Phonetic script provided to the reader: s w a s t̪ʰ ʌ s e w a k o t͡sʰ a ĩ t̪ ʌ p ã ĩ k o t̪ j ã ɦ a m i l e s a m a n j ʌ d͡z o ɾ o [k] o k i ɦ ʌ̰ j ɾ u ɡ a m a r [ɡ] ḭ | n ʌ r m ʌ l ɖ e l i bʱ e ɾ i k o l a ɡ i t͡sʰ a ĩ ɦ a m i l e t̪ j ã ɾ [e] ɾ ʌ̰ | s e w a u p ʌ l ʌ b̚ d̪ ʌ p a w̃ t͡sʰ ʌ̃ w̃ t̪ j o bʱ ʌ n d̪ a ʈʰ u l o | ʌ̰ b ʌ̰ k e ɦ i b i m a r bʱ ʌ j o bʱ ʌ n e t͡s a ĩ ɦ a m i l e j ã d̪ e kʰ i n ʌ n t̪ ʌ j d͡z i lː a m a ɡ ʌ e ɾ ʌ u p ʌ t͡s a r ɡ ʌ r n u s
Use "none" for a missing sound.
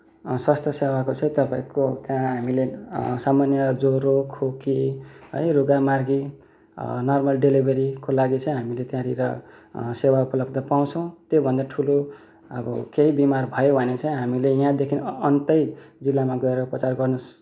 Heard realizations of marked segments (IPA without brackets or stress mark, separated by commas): kʰ, ɡ, i